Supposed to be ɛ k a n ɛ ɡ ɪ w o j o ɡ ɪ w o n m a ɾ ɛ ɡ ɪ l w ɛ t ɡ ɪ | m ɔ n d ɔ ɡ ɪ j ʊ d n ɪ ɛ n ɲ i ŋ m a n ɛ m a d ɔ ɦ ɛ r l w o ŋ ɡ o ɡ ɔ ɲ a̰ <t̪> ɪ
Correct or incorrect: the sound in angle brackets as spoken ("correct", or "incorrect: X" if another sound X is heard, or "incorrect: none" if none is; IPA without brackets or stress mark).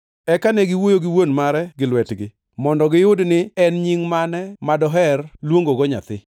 correct